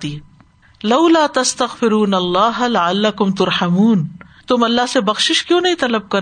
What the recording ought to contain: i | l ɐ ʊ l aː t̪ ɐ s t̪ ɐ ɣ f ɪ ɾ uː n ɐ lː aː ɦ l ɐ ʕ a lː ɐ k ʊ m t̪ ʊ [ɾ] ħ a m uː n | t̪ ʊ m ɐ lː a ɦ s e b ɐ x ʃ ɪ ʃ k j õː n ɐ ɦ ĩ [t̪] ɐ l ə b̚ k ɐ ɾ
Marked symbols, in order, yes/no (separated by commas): yes, yes